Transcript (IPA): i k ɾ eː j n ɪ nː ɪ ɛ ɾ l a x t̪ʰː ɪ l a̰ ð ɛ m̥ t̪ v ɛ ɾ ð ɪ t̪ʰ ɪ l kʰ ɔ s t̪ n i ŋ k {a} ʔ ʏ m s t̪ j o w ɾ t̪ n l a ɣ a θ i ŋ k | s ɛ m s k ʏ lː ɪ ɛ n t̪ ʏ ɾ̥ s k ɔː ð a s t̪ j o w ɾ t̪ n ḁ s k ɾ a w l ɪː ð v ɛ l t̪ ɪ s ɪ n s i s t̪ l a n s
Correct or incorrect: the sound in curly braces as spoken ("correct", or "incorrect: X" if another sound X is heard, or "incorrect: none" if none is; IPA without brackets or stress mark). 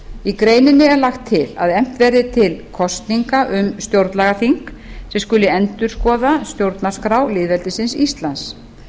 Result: correct